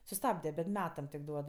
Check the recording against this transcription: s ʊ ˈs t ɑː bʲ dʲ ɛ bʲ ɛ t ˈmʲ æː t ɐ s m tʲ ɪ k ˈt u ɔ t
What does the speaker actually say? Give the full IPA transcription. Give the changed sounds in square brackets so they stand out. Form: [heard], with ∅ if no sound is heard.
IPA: s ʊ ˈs t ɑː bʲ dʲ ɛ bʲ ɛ t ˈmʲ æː t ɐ [∅] m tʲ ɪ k [ˈd] u ɔ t